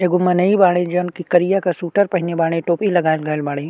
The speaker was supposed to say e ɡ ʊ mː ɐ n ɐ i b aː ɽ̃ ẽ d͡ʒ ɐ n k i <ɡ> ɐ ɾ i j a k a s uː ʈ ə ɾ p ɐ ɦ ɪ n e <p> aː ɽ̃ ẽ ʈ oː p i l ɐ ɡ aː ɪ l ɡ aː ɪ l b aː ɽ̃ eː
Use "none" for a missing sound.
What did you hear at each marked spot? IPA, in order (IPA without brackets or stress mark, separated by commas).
k, b